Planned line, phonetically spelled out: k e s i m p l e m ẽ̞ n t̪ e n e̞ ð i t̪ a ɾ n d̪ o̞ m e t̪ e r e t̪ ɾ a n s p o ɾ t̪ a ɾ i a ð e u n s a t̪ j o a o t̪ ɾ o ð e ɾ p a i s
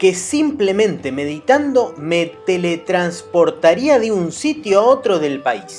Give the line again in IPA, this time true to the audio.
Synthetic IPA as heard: k e s i m p l e m ẽ̞ n t̪ e m e̞ ð i t̪ a n d̪ o̞ m e t̪ e l e t̪ ɾ a n s p o ɾ t̪ a ɾ i a ð e u n s i t̪ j o a o t̪ ɾ o ð e l p a i s